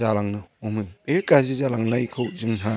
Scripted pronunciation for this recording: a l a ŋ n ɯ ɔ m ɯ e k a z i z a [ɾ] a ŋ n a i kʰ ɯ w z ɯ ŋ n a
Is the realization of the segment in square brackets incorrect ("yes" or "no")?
yes